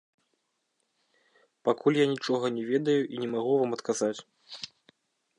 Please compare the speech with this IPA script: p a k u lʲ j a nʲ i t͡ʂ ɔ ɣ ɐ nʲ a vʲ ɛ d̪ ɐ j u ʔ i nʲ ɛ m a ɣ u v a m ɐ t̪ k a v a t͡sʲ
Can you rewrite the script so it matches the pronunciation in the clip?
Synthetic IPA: p a k u lʲ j a nʲ i t͡ʂ ɔ ɣ ɐ nʲ ɛ vʲ ɛ d̪ ɐ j u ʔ i nʲ ɛ m a ɣ u v a m ɐ t̪ k a z a t͡sʲ